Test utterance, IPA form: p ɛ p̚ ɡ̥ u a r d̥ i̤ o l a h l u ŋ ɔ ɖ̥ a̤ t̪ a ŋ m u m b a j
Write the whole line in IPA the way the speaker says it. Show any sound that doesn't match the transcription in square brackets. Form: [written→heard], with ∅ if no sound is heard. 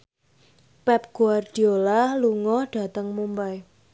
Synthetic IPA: p ɛ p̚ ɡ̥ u a r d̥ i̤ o l a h l u ŋ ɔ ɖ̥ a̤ t̪ [a→ə] ŋ m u m b a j